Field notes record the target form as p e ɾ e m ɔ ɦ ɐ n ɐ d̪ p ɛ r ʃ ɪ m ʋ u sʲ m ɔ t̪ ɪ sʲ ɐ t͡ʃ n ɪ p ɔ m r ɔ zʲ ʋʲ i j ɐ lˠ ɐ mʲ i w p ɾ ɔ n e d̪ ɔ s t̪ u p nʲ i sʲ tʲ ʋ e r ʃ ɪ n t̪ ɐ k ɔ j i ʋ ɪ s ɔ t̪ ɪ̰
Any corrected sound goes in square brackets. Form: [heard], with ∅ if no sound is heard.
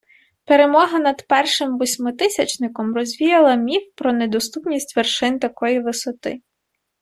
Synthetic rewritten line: p e ɾ e m ɔ ɦ ɐ n ɐ d̪ p ɛ r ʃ ɪ m ʋ [ɔ] sʲ m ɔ t̪ ɪ sʲ ɐ t͡ʃ n ɪ [k] ɔ m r ɔ zʲ ʋʲ i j ɐ lˠ ɐ mʲ i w p ɾ ɔ n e d̪ ɔ s t̪ u p nʲ i sʲ tʲ ʋ e r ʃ ɪ n t̪ ɐ k ɔ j i ʋ ɪ s ɔ t̪ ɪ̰